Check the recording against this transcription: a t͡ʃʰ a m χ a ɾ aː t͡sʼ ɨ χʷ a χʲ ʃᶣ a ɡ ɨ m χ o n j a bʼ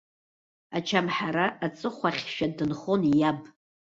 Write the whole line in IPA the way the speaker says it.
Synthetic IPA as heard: a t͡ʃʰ a m ħ a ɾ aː t͡sʼ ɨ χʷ a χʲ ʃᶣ a d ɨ n χ o n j a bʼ